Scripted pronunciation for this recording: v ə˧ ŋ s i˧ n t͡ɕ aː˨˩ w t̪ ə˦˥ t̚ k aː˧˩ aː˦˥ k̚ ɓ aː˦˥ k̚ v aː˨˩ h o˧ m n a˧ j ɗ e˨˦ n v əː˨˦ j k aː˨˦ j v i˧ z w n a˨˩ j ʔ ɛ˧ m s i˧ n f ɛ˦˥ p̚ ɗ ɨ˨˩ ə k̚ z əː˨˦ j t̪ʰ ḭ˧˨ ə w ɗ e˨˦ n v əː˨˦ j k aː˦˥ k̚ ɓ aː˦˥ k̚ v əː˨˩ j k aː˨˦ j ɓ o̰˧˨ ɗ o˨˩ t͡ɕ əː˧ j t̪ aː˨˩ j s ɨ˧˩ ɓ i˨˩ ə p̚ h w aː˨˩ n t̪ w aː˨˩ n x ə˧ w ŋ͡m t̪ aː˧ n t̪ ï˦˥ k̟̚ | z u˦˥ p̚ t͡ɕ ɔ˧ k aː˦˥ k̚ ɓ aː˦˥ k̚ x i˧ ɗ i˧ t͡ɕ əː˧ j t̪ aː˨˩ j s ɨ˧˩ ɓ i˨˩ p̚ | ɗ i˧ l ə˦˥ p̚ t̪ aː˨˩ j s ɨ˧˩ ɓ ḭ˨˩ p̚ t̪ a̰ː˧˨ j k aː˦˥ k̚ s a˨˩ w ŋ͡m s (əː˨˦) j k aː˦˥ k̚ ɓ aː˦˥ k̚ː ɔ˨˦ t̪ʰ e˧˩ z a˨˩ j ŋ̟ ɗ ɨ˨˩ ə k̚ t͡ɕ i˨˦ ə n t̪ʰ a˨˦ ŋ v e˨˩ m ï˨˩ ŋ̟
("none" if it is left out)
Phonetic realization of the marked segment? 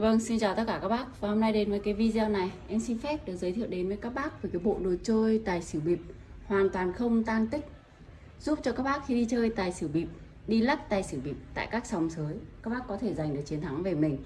əː˨˦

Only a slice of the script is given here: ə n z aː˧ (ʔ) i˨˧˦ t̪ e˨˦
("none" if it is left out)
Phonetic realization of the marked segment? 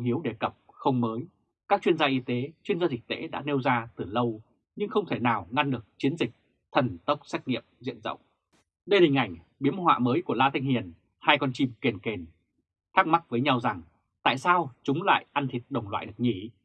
ʔ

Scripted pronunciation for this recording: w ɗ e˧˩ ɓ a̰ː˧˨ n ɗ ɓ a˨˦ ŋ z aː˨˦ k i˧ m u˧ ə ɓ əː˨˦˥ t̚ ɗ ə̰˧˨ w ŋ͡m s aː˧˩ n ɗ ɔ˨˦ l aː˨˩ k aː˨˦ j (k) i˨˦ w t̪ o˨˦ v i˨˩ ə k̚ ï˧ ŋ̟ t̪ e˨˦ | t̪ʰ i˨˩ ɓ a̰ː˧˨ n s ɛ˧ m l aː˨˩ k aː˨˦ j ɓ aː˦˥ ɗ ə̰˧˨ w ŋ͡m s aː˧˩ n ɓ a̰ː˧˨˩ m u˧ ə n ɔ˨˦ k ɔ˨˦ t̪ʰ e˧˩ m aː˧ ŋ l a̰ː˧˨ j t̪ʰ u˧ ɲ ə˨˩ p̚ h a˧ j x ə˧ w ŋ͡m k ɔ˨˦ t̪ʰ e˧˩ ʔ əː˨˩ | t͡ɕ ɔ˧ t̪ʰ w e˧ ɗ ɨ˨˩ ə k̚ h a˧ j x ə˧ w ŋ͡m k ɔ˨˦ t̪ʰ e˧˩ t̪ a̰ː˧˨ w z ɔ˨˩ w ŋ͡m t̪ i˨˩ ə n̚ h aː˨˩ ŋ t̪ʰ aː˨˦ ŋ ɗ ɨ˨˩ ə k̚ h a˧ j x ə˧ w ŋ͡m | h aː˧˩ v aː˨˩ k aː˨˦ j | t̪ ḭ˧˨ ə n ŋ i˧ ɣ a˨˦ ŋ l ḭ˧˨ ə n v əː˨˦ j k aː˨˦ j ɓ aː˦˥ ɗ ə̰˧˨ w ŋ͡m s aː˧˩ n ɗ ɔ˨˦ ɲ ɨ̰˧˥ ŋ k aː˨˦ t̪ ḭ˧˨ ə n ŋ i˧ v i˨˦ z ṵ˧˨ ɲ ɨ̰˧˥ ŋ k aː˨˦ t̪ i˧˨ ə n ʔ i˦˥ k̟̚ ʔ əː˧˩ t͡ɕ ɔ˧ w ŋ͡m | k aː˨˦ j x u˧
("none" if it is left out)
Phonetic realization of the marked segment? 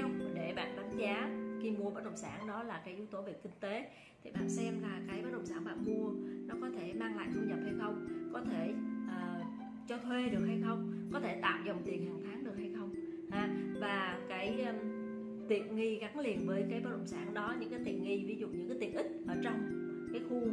ʔ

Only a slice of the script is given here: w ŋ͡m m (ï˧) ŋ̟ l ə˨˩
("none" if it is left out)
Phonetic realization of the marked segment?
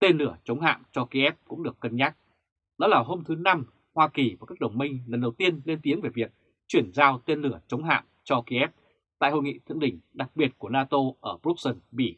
ï˧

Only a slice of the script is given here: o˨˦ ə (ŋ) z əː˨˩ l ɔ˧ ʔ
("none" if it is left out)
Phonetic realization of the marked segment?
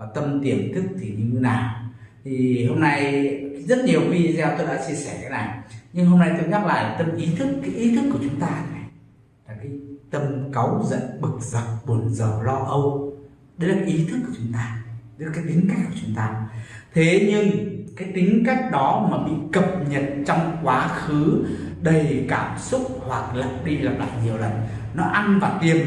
n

